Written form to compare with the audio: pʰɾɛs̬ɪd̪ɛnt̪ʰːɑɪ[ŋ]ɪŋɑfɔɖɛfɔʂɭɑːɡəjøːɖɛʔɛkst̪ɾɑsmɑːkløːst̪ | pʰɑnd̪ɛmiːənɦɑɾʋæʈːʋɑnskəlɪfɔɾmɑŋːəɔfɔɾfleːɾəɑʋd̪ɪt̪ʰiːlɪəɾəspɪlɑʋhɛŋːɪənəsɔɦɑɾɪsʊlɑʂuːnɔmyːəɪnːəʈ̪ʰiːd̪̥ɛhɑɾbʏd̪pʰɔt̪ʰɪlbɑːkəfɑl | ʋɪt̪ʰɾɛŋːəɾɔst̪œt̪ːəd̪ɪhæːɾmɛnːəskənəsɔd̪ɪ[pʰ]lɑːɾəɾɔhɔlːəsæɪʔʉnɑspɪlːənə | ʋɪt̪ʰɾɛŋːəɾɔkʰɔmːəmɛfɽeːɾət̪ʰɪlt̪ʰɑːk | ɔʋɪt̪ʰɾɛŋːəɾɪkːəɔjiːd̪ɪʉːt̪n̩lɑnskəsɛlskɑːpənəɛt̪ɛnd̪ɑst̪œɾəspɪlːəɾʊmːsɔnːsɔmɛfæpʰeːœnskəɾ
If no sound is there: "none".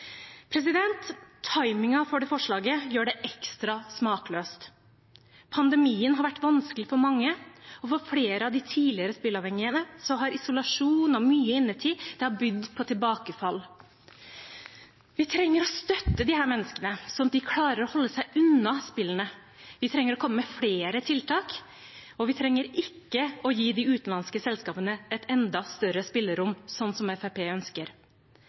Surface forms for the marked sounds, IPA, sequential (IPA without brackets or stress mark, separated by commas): m, kʰ